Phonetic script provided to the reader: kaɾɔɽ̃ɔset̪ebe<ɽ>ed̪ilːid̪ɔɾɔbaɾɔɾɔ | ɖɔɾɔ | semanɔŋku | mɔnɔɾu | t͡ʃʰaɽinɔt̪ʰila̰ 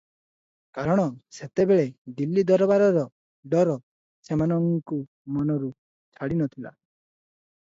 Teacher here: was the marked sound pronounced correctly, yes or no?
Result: no